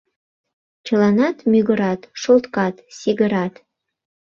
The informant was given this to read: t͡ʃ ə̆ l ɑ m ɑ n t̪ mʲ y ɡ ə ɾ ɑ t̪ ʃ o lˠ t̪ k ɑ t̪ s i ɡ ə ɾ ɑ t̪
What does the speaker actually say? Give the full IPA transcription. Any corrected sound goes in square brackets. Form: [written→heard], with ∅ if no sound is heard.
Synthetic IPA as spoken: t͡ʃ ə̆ l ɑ [m→n] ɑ [n→∅] t̪ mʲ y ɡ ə ɾ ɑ t̪ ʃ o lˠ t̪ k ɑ t̪ s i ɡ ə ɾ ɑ t̪